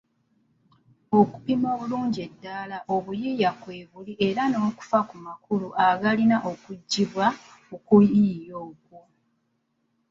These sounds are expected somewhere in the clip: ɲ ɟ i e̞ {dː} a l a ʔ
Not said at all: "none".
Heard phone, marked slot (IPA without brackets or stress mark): dː